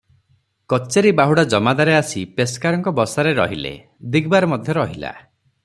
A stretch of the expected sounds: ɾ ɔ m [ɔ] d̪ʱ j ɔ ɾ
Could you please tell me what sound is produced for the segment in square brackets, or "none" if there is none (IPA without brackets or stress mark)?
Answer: ɔ